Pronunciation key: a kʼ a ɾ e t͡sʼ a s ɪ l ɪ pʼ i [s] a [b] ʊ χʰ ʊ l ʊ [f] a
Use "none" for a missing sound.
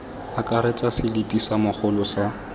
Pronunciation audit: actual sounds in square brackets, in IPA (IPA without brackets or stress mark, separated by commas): s, m, s